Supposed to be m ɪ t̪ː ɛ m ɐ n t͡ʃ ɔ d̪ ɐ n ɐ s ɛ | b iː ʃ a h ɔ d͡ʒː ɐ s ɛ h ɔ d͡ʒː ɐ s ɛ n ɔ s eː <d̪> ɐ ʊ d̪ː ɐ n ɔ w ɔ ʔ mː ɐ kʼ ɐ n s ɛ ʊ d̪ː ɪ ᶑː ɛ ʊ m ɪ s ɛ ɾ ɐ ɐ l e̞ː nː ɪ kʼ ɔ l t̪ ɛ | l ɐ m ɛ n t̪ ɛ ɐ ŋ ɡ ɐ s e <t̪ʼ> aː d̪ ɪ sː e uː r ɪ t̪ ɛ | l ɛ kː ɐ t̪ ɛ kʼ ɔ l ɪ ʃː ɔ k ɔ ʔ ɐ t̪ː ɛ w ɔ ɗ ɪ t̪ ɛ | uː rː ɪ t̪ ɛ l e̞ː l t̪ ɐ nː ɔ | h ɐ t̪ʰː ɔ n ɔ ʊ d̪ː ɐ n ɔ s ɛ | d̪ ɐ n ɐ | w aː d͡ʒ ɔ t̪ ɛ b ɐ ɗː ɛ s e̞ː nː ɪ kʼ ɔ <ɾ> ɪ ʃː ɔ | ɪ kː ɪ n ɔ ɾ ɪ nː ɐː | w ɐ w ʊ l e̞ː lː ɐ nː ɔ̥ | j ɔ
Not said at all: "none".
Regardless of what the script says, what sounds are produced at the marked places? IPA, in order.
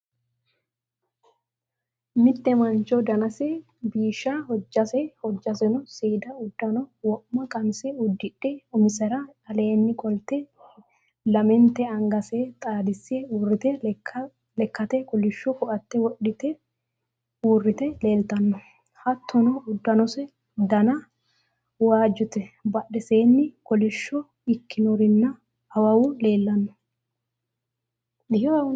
d̪, t̪ʼ, l

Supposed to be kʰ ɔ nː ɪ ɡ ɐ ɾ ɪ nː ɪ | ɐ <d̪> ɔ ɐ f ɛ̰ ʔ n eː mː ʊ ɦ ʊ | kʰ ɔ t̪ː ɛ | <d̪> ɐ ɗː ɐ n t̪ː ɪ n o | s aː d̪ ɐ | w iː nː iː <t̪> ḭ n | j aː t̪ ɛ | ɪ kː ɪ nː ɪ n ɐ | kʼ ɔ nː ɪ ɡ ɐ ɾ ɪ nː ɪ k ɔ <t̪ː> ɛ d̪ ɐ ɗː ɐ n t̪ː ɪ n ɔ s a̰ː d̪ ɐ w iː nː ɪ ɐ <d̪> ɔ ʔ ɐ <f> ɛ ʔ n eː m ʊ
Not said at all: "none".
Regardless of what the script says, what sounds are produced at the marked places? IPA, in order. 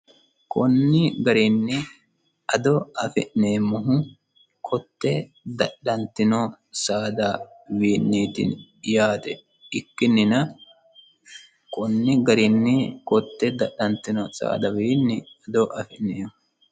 d̪, d̪, t̪, t̪ː, d̪, f

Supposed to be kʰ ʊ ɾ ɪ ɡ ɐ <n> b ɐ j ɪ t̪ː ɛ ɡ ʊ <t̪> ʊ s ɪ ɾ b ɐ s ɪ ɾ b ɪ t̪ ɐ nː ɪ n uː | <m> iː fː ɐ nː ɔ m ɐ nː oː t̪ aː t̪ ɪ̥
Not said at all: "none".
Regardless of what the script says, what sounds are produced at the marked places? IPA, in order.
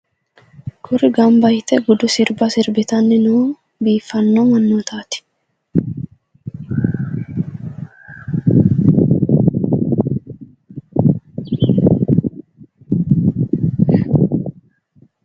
m, d̪, b

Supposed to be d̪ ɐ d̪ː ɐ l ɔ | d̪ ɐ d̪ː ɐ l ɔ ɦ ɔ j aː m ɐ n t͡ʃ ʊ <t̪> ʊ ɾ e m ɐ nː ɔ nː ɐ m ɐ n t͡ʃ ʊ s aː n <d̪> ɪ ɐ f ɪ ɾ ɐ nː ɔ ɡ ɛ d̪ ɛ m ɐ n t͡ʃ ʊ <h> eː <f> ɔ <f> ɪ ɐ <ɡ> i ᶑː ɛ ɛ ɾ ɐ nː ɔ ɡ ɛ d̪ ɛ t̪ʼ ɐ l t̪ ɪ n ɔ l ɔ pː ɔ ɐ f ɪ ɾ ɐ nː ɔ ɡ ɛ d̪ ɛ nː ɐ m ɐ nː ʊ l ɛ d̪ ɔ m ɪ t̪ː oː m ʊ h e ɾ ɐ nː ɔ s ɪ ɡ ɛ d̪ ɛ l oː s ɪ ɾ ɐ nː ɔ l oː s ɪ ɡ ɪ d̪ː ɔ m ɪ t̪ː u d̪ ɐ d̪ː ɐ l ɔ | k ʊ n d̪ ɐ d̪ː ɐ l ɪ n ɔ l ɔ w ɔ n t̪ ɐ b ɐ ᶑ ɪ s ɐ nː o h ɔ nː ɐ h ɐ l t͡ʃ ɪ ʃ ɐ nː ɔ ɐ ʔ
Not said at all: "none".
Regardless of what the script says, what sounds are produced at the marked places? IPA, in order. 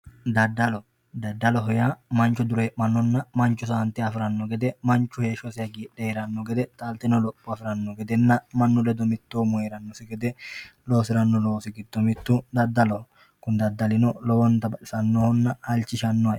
d̪, t̪, h, ʃ, s, ɡ

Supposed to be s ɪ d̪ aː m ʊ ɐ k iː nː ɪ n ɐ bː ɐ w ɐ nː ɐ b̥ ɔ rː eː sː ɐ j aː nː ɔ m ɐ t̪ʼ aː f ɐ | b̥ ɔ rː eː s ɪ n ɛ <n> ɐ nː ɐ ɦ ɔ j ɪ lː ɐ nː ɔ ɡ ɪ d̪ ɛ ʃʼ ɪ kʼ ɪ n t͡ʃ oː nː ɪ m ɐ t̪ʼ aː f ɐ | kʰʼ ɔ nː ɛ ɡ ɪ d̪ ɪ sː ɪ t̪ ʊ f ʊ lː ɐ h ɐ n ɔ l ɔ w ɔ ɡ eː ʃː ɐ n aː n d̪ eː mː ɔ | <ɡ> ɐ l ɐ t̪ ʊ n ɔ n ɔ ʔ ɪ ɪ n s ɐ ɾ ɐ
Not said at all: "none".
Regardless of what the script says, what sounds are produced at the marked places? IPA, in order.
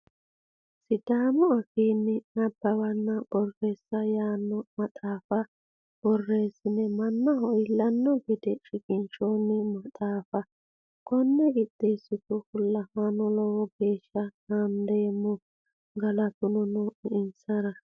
m, ɡ

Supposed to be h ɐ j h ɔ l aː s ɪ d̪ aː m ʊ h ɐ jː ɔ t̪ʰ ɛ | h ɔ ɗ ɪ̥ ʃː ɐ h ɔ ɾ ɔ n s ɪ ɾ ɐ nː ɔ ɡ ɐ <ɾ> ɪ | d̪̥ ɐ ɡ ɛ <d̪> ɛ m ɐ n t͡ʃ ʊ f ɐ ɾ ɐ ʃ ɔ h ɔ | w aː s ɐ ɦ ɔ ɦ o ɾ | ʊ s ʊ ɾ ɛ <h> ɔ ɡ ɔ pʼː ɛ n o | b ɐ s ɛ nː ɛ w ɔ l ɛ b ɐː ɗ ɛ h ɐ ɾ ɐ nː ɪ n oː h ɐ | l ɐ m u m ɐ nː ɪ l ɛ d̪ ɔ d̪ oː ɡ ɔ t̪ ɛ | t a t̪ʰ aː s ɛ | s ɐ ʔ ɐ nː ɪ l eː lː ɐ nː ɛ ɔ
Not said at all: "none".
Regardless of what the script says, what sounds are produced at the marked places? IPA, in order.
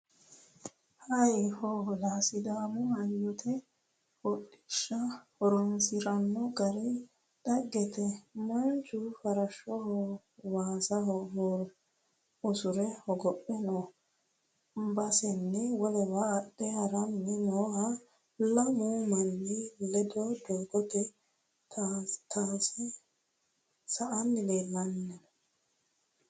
ɾ, t̪, h

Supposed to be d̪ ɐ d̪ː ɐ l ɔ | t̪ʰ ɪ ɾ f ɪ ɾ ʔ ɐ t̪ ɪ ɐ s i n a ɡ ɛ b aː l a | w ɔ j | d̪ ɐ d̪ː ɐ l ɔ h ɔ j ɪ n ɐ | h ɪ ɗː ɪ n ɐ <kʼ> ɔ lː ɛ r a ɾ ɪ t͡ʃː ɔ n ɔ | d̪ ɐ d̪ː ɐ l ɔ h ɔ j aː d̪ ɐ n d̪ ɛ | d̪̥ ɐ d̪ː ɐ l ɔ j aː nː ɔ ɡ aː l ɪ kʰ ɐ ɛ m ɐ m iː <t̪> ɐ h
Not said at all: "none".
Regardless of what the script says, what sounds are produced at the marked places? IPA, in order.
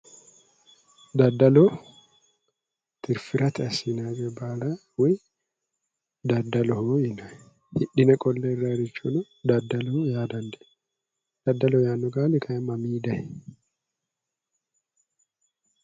kʼ, d̪

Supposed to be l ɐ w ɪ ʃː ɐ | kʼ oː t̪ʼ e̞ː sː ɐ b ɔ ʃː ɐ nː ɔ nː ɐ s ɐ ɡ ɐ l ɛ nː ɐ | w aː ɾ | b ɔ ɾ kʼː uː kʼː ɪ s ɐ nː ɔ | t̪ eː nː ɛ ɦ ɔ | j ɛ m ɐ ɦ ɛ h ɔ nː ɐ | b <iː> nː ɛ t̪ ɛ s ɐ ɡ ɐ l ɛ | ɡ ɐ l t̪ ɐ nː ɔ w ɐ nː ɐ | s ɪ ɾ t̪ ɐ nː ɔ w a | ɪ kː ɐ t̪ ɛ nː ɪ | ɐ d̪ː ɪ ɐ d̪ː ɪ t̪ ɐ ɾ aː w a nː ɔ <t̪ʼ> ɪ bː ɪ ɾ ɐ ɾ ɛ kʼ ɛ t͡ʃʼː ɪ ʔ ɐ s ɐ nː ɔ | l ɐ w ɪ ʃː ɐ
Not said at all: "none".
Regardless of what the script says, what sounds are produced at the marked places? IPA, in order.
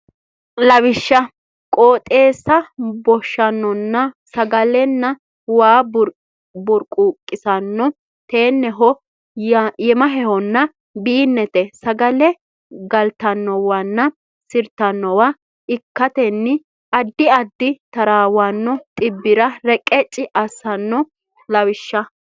iː, t̪ʼ

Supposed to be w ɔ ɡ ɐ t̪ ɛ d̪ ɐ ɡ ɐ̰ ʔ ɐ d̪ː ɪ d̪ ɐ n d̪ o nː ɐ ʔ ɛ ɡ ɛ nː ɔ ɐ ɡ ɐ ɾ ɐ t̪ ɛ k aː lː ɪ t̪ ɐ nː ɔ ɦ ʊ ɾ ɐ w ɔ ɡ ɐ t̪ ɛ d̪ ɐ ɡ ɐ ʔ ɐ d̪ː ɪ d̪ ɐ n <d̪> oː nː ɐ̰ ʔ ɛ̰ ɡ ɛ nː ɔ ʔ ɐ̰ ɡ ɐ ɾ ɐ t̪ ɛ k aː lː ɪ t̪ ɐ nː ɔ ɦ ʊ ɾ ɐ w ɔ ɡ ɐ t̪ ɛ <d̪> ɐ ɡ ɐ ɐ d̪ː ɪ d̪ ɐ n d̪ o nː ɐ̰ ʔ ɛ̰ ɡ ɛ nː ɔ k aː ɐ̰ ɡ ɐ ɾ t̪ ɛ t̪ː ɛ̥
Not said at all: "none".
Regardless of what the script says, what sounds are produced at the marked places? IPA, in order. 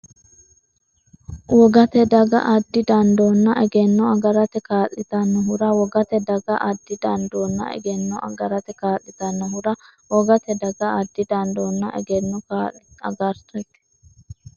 d̪, d̪

